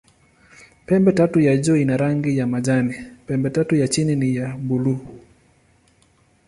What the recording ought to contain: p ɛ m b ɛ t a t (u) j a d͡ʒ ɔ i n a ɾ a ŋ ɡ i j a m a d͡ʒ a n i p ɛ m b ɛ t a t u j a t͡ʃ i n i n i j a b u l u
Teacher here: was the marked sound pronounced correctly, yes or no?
yes